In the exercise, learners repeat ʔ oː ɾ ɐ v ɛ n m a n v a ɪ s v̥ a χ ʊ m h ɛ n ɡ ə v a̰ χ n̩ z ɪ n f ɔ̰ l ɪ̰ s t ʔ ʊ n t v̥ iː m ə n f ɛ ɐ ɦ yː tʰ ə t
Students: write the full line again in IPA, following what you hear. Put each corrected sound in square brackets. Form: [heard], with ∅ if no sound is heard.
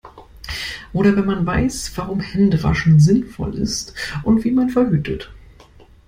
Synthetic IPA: ʔ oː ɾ ɐ v ɛ n m a n v a ɪ s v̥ a [ʁ] ʊ m h ɛ n [d] ə v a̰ [ʃ] n̩ z ɪ n f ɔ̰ l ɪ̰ s t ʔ ʊ n t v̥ iː m [a] n f ɛ ɐ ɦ yː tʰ ə t